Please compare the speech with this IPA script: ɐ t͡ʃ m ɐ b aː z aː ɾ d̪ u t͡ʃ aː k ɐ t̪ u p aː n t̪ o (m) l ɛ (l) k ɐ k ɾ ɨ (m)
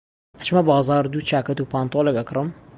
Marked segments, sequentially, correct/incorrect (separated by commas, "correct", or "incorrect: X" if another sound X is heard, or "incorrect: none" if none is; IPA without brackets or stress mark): incorrect: none, incorrect: none, correct